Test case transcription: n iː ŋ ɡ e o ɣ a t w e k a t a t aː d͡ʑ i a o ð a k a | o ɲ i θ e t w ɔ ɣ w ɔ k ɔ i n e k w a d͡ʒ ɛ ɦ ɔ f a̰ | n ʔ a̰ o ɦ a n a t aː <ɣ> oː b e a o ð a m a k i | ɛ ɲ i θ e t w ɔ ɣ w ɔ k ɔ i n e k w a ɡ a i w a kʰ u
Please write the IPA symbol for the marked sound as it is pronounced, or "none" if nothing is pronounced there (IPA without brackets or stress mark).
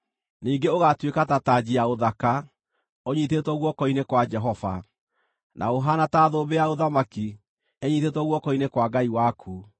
ð